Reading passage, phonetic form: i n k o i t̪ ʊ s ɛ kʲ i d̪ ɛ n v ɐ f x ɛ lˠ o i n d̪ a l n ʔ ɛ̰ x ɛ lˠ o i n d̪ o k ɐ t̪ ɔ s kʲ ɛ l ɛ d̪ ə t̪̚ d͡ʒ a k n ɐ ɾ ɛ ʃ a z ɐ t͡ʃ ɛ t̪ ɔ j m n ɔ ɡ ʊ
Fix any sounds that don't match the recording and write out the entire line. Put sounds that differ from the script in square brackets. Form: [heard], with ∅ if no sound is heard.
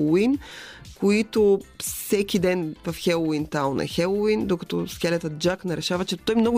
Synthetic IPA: i n k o i t̪ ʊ s ɛ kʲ i d̪ ɛ n v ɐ f x ɛ lˠ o i n [t̪] a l n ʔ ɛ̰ x ɛ lˠ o i n d̪ o k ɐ t̪ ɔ s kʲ ɛ l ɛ [t̪] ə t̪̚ d͡ʒ a k n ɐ ɾ ɛ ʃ a [v] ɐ t͡ʃ ɛ t̪ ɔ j m n ɔ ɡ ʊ